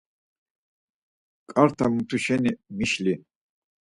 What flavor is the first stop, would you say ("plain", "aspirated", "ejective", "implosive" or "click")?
ejective